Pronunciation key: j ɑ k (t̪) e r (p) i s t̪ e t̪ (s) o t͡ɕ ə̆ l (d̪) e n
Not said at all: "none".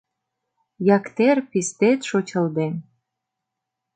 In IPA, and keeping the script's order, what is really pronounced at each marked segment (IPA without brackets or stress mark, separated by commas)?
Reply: t̪, p, ʃ, d̪